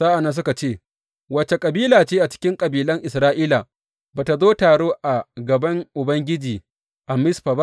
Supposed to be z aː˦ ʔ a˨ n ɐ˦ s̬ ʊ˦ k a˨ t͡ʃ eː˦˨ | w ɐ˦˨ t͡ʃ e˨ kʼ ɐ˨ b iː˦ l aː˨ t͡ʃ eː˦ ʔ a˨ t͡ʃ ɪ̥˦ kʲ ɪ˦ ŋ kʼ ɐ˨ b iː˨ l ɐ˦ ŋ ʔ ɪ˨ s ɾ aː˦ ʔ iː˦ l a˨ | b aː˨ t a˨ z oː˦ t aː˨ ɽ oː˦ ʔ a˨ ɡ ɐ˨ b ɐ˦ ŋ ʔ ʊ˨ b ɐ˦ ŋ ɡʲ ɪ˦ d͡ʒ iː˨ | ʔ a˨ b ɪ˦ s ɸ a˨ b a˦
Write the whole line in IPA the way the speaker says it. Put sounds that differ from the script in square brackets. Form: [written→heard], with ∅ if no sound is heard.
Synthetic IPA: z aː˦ ʔ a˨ n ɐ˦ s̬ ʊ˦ k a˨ t͡ʃ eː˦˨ | w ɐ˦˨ t͡ʃ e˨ kʼ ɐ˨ b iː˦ l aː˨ t͡ʃ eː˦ ʔ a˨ t͡ʃ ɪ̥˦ kʲ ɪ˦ ŋ kʼ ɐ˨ b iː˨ l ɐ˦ ŋ ʔ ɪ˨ s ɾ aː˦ ʔ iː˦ l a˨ | b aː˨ t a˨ z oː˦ t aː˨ ɽ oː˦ ʔ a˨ ɡ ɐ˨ b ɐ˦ ŋ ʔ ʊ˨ b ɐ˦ ŋ ɡʲ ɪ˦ d͡ʒ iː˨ | ʔ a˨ [b→m] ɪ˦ s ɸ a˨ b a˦